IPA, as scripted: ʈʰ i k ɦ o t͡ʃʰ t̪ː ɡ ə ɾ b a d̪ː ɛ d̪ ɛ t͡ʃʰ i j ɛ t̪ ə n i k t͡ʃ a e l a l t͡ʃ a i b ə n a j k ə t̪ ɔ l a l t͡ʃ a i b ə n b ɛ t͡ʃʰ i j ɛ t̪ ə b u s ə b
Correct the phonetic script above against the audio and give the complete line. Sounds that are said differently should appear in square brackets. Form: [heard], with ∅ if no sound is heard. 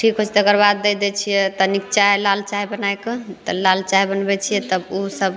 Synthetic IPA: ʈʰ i k ɦ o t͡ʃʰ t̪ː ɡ ə ɾ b a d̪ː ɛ d̪ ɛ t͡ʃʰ i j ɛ t̪ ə n i k t͡ʃ a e l a l t͡ʃ a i b ə n a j k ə t̪ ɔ l a l t͡ʃ a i b ə n b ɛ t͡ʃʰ i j ɛ t̪ ə b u s ə b